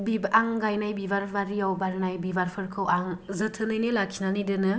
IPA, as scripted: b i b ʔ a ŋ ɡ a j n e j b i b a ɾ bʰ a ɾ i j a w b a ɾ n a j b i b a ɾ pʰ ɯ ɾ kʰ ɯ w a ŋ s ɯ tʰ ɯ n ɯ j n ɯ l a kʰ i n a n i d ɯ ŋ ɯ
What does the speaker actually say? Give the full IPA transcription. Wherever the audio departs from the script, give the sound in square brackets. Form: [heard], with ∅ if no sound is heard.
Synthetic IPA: b i b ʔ a ŋ ɡ a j n [a] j b i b a ɾ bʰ a ɾ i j a w b a ɾ n a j b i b a ɾ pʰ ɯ ɾ kʰ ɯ w a ŋ [z] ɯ tʰ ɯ n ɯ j n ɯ l a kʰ i n a n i d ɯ [n] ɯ